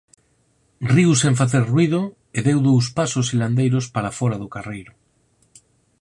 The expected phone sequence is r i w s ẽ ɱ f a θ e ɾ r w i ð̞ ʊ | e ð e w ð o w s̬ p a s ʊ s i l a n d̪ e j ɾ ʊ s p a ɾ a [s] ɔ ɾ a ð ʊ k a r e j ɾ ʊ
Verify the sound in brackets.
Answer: incorrect: f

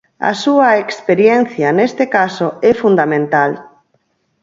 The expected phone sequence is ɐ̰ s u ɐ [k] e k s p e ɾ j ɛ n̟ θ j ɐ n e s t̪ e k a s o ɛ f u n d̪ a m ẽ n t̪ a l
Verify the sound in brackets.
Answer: incorrect: none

